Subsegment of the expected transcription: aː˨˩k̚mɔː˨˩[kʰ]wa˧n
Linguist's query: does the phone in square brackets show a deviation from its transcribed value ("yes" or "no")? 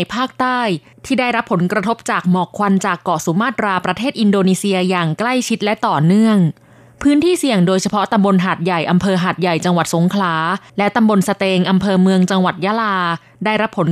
no